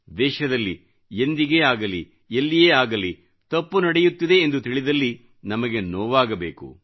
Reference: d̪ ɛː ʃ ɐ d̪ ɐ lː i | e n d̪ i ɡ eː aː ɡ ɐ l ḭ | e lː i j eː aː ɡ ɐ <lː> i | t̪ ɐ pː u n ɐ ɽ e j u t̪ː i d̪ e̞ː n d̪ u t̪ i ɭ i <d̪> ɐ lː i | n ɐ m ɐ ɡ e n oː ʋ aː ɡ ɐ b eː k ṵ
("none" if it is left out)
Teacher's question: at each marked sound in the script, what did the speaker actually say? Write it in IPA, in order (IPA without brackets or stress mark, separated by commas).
l, d̪